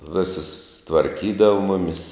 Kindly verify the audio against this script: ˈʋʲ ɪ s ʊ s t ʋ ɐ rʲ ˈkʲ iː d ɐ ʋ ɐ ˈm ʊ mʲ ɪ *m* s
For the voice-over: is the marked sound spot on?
no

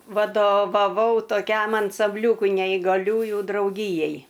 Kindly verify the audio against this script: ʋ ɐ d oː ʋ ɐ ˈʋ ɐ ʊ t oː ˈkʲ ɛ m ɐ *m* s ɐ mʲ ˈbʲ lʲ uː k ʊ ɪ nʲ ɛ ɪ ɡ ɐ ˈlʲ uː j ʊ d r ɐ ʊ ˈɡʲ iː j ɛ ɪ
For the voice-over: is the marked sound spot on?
no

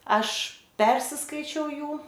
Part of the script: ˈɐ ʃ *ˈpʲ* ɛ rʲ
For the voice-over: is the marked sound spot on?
yes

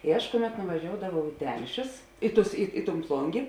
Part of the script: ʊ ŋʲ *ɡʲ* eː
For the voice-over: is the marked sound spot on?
yes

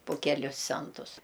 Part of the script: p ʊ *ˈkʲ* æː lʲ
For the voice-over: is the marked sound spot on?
yes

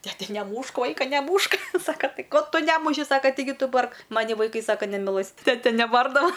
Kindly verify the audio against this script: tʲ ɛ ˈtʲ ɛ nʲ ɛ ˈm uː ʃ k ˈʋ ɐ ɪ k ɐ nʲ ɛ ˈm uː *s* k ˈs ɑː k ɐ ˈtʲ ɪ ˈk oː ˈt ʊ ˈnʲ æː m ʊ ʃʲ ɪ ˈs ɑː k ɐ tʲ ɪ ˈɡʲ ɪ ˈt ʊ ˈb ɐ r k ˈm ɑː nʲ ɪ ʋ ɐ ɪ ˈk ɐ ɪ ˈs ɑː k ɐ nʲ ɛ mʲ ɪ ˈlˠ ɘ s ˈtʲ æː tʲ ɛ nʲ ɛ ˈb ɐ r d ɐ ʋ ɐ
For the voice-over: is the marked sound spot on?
no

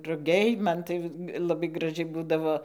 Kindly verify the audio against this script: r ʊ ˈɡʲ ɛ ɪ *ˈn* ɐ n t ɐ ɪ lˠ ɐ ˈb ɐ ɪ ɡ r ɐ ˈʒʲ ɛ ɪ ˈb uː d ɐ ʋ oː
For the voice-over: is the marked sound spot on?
no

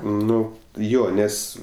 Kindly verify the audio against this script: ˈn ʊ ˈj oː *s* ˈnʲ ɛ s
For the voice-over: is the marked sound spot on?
no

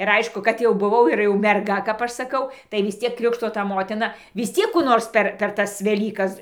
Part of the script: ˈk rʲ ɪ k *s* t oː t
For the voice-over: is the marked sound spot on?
no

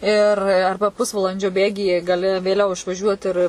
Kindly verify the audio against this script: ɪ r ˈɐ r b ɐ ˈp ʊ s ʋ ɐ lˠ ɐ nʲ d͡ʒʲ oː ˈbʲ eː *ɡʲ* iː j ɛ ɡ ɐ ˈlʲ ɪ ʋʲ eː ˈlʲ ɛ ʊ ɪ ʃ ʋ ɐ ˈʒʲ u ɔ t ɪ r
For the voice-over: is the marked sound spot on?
yes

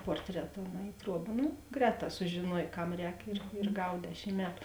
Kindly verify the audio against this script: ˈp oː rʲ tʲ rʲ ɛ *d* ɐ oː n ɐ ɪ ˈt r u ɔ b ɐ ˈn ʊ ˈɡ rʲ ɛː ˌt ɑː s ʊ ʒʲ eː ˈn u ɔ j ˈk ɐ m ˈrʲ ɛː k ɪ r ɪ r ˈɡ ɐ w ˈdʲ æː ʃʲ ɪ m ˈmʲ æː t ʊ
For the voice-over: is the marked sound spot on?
no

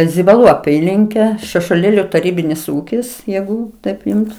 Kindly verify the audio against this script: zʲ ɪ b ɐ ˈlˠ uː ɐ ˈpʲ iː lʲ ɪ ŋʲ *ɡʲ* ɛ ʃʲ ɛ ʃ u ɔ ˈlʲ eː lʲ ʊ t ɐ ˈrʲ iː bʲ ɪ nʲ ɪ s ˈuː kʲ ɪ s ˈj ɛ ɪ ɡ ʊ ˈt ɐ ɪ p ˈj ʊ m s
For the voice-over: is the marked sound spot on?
no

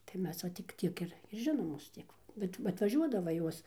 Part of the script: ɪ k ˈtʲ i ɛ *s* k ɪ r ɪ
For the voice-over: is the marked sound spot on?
no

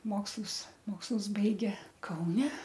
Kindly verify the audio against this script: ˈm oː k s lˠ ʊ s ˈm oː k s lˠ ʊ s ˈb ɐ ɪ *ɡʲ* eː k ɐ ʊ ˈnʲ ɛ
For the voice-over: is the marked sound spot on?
yes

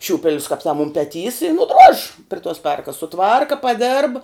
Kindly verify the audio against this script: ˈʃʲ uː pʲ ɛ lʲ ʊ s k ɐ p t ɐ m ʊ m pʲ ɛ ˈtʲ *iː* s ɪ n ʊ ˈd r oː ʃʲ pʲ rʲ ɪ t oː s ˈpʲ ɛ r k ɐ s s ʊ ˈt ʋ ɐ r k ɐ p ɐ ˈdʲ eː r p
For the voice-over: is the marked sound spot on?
yes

